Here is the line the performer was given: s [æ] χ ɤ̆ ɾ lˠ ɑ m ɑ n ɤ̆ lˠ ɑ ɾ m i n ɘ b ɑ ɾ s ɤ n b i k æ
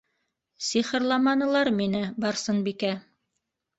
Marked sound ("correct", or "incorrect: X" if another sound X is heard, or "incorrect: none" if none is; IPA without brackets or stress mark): incorrect: i